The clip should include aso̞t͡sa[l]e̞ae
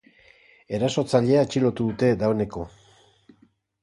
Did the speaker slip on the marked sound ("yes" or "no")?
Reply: yes